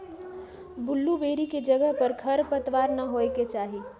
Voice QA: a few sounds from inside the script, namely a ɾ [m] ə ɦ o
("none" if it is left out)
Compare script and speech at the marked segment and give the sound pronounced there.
n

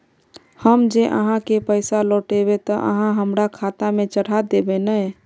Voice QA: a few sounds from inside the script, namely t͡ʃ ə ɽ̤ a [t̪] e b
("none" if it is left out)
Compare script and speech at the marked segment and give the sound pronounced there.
d̪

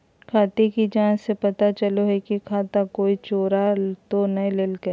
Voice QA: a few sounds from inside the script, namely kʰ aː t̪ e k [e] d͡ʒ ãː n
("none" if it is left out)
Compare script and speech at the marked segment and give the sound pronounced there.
i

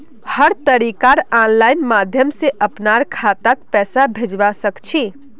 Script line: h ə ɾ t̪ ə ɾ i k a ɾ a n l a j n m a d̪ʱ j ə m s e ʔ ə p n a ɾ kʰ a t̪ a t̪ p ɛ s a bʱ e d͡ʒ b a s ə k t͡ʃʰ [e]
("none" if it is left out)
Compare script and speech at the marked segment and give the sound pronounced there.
i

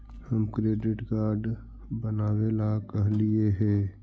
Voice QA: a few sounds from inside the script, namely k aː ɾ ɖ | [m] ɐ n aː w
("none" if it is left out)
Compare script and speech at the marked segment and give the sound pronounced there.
b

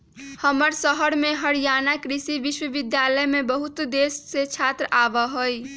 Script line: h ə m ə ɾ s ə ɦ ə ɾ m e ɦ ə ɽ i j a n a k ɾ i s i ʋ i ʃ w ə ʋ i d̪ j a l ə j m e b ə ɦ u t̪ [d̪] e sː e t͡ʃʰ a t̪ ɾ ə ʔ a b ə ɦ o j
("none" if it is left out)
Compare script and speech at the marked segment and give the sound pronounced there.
d̪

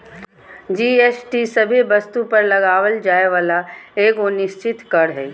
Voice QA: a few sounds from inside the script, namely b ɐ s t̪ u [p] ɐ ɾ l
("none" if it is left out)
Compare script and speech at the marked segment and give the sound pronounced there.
p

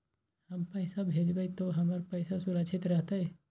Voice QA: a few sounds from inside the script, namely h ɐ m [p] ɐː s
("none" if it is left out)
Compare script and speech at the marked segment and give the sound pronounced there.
p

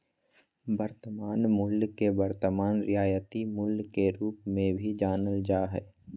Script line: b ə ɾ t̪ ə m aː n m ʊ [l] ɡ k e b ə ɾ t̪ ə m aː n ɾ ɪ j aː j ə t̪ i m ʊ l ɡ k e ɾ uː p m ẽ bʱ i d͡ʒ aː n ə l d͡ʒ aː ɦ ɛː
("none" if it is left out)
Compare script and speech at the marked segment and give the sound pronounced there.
l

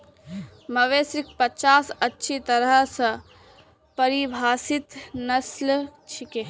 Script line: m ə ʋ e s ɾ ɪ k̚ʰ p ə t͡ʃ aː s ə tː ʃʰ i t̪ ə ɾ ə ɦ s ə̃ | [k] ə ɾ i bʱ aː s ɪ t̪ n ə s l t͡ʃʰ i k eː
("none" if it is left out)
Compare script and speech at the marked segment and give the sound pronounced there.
p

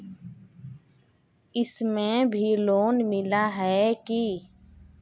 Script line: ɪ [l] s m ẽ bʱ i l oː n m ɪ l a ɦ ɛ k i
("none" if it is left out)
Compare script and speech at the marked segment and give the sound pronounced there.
none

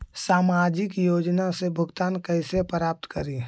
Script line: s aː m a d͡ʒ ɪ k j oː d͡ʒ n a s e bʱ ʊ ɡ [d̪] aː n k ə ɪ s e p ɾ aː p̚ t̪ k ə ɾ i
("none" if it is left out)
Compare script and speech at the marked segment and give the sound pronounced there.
t̪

